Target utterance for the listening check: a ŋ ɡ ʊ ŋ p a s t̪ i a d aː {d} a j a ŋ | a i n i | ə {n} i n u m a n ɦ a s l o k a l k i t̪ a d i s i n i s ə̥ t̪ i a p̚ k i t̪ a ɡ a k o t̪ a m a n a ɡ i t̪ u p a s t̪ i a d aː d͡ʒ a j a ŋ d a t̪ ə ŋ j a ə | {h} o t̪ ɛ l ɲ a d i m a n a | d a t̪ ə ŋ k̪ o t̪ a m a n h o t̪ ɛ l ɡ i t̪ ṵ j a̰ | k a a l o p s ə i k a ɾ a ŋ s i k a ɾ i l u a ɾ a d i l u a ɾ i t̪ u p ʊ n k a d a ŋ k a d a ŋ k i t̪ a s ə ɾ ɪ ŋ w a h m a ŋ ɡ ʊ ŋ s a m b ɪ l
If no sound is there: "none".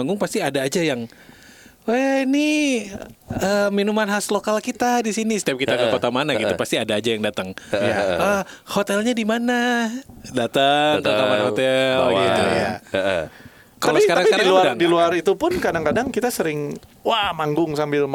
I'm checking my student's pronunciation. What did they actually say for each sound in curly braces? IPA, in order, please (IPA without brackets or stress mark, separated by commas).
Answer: d͡ʒ, m, h